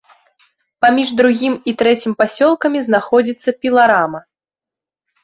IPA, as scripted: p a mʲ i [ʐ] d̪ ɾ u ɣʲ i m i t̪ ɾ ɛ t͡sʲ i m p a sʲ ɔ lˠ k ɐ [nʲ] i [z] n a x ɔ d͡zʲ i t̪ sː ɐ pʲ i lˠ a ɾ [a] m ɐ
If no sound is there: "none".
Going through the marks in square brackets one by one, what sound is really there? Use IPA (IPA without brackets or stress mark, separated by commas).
ʐ, mʲ, z, a